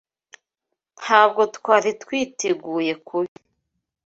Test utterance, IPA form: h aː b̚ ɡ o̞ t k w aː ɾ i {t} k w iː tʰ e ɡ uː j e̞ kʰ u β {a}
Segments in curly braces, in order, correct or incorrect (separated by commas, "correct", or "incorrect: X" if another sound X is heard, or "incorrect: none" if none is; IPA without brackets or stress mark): correct, incorrect: i